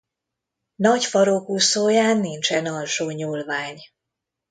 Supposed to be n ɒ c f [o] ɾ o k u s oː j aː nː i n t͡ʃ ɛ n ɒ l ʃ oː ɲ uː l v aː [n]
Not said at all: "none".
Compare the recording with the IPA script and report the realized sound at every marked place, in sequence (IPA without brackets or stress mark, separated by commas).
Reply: ɒ, ɲ